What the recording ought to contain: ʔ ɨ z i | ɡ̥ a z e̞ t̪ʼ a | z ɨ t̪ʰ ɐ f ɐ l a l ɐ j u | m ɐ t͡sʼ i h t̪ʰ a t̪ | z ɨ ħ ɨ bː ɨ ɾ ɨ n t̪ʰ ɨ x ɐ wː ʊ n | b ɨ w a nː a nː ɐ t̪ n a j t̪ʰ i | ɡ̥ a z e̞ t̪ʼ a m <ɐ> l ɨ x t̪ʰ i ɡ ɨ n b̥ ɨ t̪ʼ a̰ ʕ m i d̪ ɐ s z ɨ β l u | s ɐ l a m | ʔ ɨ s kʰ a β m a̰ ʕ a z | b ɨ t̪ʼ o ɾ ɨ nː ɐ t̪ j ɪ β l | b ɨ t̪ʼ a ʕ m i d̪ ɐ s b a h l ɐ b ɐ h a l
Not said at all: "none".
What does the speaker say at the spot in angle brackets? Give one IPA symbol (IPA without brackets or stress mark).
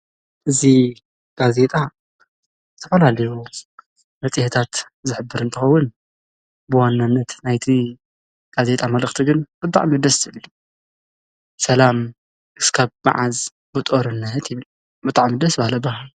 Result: ɐ